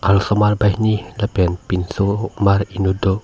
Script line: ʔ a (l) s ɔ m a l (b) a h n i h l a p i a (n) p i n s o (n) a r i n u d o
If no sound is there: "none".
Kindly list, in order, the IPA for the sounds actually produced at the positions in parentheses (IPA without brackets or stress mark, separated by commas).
l, b, n, m